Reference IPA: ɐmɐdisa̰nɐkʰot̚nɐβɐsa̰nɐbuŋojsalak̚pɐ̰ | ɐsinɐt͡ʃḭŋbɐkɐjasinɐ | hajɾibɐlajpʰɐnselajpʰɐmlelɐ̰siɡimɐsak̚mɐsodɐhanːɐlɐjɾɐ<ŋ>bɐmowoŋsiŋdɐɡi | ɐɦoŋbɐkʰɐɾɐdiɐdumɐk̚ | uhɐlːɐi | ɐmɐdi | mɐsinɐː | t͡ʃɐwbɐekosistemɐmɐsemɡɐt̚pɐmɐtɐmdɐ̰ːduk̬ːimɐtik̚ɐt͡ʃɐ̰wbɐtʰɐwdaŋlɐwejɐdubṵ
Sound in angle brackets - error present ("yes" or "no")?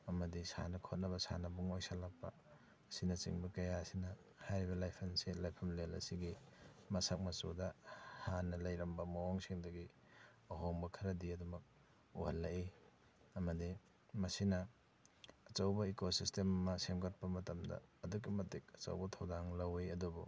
yes